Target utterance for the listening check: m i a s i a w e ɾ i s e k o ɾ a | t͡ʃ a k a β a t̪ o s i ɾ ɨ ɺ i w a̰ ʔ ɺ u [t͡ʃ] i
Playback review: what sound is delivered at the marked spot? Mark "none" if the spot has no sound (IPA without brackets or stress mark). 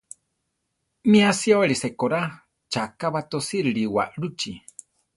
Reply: t͡ʃ